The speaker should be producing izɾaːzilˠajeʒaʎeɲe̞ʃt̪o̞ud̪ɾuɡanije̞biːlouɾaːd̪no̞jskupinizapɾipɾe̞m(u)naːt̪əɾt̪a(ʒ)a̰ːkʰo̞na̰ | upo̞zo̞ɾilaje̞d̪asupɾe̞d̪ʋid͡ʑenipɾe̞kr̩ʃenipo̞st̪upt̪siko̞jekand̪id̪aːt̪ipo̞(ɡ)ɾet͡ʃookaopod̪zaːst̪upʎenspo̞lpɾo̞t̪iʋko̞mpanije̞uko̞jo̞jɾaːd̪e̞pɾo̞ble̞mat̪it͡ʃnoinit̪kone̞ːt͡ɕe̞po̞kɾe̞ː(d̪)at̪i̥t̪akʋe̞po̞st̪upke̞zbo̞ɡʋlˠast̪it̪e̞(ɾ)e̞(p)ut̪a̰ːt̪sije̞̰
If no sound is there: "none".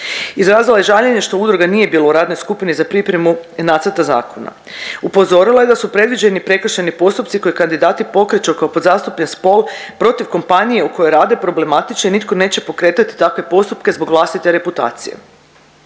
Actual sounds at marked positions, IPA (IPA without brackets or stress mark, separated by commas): u, z, k, t̪, ɾ, p